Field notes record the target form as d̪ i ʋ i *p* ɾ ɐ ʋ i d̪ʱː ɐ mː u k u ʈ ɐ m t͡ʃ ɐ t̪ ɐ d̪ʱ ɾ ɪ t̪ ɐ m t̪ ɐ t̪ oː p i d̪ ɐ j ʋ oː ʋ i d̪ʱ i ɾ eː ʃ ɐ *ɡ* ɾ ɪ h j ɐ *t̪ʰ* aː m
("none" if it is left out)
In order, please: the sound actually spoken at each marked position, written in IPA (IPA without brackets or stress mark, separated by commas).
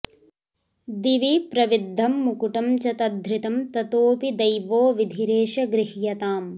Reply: p, ɡ, t̪